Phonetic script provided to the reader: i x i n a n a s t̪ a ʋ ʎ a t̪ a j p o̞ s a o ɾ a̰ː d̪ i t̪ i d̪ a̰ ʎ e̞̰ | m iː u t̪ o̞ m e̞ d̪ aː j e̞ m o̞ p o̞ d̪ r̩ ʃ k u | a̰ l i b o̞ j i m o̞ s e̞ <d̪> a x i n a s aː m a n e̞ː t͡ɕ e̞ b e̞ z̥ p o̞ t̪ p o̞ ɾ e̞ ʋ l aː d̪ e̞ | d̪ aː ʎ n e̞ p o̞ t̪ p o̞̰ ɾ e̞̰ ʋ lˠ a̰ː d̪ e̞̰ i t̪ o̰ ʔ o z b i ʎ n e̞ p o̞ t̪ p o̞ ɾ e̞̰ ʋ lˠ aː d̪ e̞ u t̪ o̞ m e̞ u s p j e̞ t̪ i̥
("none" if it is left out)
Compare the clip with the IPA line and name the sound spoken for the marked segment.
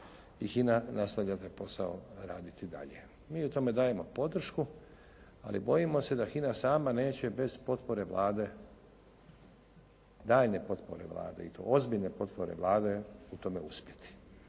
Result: d̪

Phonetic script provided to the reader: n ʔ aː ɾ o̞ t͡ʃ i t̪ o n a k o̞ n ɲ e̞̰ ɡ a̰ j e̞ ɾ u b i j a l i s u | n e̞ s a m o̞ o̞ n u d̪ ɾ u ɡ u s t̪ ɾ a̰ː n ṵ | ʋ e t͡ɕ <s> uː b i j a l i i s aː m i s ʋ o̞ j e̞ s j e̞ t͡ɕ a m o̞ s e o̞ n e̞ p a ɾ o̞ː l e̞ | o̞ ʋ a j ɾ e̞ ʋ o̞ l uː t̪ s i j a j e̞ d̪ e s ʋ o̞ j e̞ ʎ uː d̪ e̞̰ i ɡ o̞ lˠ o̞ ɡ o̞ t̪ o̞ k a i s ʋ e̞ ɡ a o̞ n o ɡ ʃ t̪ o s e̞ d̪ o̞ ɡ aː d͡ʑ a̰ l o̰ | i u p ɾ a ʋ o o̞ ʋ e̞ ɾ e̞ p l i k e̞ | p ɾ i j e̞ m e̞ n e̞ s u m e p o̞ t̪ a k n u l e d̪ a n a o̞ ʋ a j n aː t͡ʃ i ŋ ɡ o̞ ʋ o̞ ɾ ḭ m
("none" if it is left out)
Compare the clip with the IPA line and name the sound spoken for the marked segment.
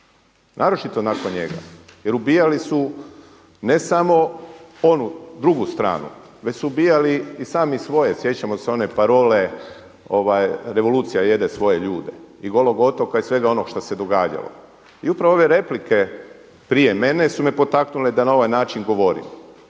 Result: s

